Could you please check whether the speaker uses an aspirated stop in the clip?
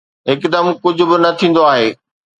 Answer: yes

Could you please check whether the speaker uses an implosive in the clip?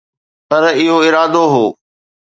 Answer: no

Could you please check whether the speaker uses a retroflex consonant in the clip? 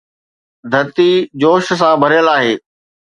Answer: no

